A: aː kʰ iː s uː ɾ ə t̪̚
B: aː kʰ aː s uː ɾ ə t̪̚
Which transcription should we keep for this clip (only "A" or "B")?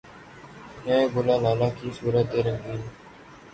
A